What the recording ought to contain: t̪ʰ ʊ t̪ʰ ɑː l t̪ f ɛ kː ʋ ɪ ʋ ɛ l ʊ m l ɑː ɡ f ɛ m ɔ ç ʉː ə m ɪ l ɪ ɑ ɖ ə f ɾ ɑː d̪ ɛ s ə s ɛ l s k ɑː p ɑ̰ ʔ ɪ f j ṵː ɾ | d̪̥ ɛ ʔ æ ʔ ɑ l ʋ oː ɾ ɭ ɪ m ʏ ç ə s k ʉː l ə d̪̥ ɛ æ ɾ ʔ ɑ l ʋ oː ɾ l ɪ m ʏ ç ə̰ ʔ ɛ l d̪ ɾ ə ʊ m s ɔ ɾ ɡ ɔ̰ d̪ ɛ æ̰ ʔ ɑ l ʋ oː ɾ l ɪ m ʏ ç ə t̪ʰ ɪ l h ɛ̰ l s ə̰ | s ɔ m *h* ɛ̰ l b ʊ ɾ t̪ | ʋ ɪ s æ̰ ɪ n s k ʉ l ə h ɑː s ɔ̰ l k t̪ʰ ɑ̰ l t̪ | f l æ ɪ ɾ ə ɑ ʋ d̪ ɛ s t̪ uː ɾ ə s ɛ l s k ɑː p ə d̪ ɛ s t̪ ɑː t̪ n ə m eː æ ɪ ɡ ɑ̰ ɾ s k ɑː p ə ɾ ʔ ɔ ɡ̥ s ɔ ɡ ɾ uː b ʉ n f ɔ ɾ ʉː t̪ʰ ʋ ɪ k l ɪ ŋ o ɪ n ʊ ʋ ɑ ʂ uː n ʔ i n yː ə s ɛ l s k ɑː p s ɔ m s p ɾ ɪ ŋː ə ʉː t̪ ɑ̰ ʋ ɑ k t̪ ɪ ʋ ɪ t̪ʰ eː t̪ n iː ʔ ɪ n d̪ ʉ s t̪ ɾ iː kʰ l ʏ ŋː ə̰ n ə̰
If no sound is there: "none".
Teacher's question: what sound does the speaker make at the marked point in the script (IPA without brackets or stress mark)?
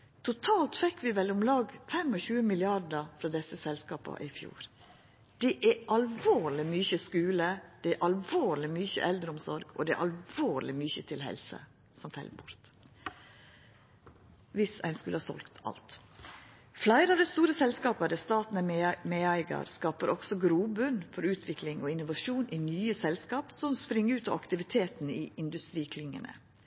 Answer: f